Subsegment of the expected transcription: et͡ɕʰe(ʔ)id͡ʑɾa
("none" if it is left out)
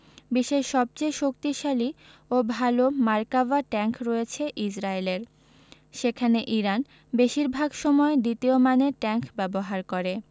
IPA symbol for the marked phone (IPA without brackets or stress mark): ʔ